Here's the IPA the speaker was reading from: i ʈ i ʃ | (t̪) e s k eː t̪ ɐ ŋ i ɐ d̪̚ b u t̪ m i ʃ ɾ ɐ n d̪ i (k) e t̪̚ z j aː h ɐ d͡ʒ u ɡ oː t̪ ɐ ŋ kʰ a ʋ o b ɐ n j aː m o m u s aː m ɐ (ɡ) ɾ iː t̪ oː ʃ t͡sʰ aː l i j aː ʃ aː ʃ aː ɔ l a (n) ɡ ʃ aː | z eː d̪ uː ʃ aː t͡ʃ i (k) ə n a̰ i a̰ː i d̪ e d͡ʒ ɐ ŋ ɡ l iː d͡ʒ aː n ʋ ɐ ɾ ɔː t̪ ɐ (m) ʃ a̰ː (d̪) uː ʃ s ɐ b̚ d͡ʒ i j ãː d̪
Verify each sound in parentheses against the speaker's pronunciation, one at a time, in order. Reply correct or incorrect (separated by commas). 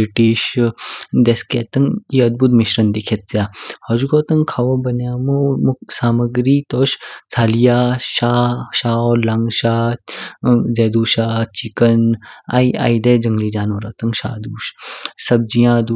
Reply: incorrect, incorrect, correct, incorrect, correct, incorrect, correct